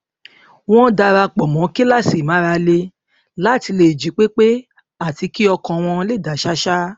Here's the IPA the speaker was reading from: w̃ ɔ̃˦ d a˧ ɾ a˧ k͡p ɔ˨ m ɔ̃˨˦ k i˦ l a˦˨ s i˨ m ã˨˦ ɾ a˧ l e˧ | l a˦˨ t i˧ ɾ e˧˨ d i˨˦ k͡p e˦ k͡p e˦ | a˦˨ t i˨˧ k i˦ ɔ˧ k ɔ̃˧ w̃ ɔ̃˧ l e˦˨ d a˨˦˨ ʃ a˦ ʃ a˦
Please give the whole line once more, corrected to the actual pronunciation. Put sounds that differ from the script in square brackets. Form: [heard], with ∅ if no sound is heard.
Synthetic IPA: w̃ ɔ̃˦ d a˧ ɾ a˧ k͡p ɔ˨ m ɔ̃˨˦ k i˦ l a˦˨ s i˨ m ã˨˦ ɾ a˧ l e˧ | l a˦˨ t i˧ [l] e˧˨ [d͡ʒ] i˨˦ k͡p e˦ k͡p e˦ | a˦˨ t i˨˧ k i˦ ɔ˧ k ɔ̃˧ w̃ ɔ̃˧ l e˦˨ d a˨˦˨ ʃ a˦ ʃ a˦